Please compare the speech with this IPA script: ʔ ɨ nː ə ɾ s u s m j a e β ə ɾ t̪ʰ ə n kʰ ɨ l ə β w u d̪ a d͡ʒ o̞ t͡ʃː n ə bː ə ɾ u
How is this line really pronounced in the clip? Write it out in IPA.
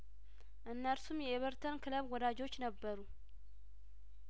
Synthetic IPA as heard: ʔ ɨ nː ə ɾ s u m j ɛ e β ə ɾ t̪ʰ ə n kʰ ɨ l ə β w ɔ d̪ a d͡ʒ o̞ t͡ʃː n ə bː ə ɾ u